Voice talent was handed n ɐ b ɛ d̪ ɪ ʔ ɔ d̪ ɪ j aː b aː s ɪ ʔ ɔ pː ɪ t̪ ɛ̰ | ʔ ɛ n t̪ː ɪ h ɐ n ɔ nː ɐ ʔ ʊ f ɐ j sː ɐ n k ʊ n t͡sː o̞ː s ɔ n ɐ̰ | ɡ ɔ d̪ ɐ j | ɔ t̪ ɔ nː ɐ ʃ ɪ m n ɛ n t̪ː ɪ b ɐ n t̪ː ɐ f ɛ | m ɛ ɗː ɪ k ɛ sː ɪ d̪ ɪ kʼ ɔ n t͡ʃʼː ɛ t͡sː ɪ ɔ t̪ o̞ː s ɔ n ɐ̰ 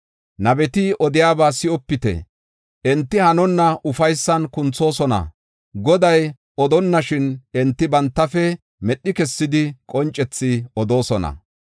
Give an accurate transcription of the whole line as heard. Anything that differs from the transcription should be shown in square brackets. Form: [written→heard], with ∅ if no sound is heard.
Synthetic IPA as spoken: n ɐ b ɛ [d̪→t̪] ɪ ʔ ɔ d̪ ɪ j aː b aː s ɪ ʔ ɔ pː ɪ t̪ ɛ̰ | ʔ ɛ n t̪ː ɪ h ɐ n ɔ nː ɐ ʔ ʊ f ɐ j sː ɐ n k ʊ n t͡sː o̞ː s ɔ n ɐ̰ | ɡ ɔ d̪ ɐ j | ɔ [t̪→d̪] ɔ nː ɐ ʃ ɪ [m→∅] n ɛ n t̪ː ɪ b ɐ n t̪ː ɐ f ɛ | m ɛ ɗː ɪ k ɛ sː ɪ d̪ ɪ kʼ ɔ n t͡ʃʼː ɛ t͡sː ɪ ɔ [t̪→d̪] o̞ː s ɔ n ɐ̰